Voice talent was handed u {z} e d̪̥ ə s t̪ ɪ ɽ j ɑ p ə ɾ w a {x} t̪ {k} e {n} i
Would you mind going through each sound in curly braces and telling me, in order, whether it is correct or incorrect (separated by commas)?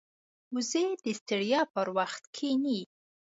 correct, correct, incorrect, correct